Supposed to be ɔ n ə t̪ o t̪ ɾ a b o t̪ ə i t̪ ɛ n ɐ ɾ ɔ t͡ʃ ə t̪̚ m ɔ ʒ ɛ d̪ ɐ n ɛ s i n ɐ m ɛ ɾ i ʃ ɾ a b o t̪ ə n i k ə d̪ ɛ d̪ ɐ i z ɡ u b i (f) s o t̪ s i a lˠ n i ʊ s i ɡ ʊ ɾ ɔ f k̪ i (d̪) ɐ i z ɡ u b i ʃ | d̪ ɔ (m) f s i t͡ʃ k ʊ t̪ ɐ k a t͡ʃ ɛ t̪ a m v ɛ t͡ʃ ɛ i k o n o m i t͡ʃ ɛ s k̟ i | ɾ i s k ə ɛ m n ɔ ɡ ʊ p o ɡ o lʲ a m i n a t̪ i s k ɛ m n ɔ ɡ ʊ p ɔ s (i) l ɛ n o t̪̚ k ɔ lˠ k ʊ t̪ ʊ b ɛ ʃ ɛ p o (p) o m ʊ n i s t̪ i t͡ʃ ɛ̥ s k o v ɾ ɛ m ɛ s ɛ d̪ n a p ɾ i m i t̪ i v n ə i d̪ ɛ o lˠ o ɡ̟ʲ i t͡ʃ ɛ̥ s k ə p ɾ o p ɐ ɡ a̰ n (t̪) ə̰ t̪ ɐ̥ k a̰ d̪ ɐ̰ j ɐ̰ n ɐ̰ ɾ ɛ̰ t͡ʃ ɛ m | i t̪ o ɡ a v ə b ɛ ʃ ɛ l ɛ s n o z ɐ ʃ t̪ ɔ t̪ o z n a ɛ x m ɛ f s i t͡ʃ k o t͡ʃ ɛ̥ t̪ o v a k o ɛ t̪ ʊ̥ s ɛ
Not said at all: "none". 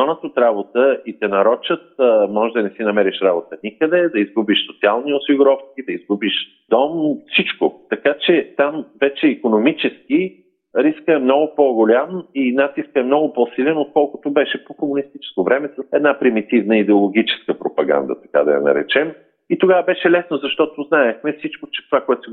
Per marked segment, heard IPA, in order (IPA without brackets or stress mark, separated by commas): ʃ, d̪, m, i, k, d̪